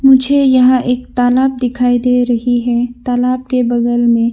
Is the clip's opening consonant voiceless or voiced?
voiced